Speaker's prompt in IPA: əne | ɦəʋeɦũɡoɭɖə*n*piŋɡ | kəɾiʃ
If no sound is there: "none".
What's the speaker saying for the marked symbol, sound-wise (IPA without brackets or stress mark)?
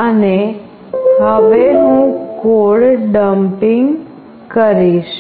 m